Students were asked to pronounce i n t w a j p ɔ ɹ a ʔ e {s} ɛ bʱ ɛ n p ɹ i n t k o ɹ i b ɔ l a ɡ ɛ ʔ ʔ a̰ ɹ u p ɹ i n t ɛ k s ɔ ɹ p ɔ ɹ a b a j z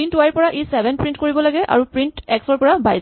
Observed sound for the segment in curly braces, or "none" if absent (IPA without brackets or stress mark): s